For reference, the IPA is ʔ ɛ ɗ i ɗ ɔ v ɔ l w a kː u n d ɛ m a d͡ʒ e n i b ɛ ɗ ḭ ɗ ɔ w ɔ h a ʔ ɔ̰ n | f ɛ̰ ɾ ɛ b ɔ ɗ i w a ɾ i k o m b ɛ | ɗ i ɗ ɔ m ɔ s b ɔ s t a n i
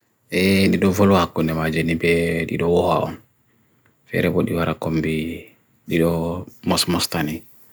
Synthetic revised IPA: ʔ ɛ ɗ i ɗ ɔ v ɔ l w a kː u n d ɛ m a d͡ʒ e n i b ɛ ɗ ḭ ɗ ɔ w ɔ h a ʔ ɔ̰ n | f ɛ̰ ɾ ɛ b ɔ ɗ i w a ɾ a k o m b i | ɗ i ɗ ɔ m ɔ s m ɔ s t a n i